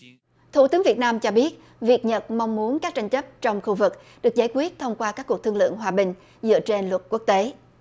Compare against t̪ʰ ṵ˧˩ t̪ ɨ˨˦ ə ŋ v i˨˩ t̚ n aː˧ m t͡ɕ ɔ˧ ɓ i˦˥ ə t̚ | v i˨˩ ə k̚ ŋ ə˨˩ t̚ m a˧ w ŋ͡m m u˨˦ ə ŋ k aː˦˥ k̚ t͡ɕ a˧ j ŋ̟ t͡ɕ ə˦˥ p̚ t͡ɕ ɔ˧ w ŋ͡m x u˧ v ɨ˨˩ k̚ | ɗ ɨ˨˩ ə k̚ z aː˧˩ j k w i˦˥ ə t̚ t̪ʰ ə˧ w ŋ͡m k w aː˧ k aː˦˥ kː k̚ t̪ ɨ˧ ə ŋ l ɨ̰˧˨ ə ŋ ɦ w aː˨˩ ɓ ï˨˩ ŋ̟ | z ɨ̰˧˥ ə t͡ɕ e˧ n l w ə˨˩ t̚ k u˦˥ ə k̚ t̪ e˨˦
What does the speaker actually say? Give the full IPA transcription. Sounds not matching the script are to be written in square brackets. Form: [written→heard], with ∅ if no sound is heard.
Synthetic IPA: t̪ʰ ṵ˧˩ t̪ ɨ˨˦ ə ŋ v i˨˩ t̚ n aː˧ m t͡ɕ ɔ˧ ɓ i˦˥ ə t̚ | v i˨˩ ə k̚ [ŋ→ɲ] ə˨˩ t̚ m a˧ w ŋ͡m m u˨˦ ə [ŋ→n] k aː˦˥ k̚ t͡ɕ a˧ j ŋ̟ t͡ɕ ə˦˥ p̚ t͡ɕ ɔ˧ w ŋ͡m x u˧ v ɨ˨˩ k̚ | ɗ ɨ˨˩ ə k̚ z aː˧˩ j k w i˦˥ ə t̚ t̪ʰ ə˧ w ŋ͡m k w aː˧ k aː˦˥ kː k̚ t̪ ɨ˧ ə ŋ l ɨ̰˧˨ ə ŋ ɦ w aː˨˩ ɓ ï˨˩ ŋ̟ | z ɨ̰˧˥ ə t͡ɕ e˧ n l w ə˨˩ t̚ k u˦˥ ə k̚ t̪ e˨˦